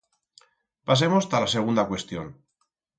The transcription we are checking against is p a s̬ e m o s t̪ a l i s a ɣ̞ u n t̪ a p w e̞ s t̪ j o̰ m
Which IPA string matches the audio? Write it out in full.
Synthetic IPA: p a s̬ e m o s t̪ a l a s e ɣ̞ u n d̪ a k w e̞ s t̪ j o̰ n